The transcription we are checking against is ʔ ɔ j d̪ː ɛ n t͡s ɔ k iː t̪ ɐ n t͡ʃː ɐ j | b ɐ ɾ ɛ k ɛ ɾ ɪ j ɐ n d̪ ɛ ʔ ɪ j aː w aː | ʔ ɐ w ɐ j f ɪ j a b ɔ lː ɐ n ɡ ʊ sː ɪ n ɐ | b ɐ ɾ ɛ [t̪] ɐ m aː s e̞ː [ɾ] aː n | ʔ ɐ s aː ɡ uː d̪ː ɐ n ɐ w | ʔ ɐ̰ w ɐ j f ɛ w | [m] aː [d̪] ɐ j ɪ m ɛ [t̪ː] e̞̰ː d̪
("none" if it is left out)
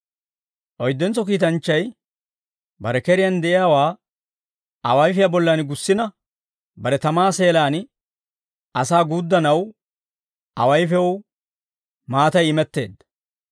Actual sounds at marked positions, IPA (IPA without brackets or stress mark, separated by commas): t̪, l, m, t̪, t̪ː